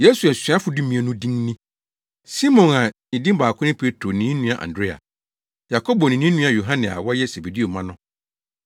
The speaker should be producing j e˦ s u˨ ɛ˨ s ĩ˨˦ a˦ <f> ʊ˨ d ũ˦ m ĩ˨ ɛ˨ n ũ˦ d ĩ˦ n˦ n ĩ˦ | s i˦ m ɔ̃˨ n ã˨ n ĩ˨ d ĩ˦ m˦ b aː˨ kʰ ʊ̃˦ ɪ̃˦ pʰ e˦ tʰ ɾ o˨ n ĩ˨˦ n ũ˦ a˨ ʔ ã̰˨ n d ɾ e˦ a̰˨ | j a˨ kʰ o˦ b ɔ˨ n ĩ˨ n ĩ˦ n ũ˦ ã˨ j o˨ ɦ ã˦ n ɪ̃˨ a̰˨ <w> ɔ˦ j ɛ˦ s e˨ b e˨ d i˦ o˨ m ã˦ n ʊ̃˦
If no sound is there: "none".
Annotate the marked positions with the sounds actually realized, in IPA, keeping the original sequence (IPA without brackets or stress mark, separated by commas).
f, w